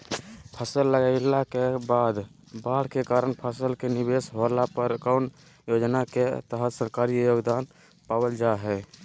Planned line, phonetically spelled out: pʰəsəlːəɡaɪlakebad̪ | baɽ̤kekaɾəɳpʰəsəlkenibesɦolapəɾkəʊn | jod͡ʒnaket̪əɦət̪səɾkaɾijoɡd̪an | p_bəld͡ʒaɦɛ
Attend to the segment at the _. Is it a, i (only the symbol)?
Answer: a